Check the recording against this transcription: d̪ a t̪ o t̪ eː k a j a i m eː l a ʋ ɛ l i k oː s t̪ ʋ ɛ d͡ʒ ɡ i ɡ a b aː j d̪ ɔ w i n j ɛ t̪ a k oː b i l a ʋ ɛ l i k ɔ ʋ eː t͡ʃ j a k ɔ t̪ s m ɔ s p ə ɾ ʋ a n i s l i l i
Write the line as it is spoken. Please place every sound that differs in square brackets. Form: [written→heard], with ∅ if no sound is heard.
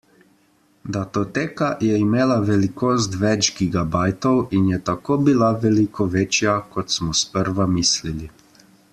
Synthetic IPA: d̪ a t̪ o t̪ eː k a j [a→ɛ] i m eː l a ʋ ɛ l i k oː s t̪ ʋ ɛ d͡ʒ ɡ i ɡ a b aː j [d̪→t̪] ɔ w i n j ɛ t̪ a k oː b i l a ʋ ɛ l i k ɔ ʋ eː t͡ʃ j a k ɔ t̪ s m ɔ s p ə ɾ ʋ a [n→m] i s l i l i